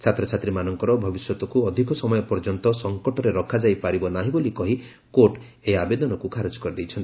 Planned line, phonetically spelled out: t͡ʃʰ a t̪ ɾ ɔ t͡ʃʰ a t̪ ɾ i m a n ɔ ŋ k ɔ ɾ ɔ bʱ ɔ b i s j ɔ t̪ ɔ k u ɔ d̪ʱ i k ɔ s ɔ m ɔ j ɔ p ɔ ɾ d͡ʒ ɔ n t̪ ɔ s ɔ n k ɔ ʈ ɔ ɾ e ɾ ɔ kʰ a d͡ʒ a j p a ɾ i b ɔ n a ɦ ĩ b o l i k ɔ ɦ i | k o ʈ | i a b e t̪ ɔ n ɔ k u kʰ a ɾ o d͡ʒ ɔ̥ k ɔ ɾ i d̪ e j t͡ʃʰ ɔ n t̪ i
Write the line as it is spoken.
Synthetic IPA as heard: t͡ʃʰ a t̪ ɾ ɔ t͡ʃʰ a t̪ ɾ i m a n ɔ ŋ k ɔ ɾ ɔ bʱ ɔ b i s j ɔ t̪ ɔ k u ɔ d̪ʱ i k ɔ s ɔ m ɔ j ɔ p ɔ ɾ d͡ʒ ɔ n t̪ ɔ s ɔ ŋ k ɔ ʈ ɔ ɾ e ɾ ɔ kʰ a d͡ʒ a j p a ɾ i b ɔ n a ɦ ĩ b o l i k ɔ ɦ i | k o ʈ | e a b e d̪ ɔ n ɔ k u kʰ a ɾ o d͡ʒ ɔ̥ k ɔ ɾ i d̪ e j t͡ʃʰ ɔ n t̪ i